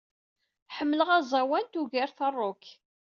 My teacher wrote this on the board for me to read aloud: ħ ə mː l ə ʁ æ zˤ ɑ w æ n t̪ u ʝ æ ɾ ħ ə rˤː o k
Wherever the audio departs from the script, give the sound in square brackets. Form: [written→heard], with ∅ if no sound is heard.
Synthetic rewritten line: ħ ə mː l ə ʁ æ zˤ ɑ w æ n t̪ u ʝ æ ɾ [ħ→θ] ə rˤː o k